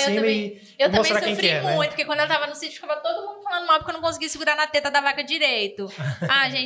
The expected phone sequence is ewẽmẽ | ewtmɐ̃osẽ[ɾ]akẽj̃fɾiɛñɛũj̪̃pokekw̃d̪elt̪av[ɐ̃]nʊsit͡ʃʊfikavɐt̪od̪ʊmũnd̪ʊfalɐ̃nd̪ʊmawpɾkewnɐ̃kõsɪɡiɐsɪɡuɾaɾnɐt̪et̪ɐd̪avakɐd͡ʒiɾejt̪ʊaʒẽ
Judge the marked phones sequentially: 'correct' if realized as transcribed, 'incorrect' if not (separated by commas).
correct, incorrect